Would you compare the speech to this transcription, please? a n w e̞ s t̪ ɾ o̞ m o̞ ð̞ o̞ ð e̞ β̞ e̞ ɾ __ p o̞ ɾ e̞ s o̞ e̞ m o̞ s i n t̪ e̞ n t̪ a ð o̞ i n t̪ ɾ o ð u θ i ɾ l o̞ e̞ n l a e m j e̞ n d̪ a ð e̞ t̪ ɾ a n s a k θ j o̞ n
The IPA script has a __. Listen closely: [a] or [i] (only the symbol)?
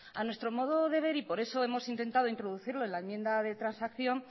i